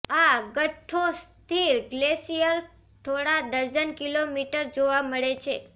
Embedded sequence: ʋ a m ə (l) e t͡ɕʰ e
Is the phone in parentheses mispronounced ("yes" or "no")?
yes